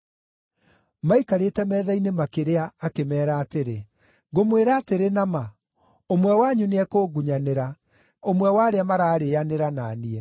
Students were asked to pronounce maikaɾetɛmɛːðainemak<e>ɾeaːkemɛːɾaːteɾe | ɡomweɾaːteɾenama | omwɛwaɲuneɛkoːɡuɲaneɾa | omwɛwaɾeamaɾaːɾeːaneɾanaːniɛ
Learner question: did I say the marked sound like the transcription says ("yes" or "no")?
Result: yes